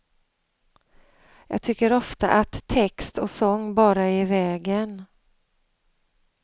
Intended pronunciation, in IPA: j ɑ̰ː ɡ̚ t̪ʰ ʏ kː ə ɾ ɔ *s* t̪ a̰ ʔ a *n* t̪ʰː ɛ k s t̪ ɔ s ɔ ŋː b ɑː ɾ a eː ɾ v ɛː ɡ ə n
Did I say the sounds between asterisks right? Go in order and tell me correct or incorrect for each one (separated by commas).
incorrect, incorrect